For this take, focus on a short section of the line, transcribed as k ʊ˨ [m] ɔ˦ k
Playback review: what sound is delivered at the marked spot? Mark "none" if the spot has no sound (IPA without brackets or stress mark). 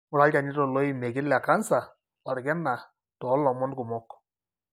m